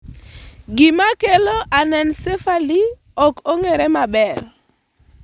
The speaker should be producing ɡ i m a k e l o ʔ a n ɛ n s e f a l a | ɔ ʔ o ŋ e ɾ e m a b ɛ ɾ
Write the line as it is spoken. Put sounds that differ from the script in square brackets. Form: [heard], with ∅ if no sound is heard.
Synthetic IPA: ɡ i m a k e l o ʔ a n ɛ n s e f a l [i] | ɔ [k] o ŋ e ɾ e m a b ɛ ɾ